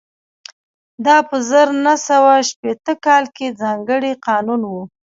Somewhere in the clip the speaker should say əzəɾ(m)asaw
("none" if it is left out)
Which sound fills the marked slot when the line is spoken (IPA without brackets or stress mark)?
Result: n